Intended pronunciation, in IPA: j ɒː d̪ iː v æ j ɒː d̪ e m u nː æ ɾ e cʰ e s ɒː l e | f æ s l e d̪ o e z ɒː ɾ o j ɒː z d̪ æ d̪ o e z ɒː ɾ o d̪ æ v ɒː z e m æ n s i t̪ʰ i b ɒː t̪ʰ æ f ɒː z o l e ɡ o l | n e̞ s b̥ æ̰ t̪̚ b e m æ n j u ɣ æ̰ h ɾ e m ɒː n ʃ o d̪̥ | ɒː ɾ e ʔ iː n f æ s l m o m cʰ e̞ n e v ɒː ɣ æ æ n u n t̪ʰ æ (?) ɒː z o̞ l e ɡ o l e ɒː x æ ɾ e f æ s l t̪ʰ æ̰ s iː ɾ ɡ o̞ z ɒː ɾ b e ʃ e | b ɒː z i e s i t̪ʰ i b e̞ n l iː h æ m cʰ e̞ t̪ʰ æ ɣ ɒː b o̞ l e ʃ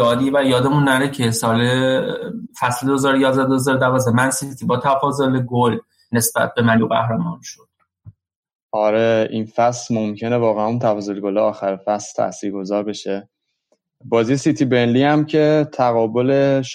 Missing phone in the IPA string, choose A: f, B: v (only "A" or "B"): A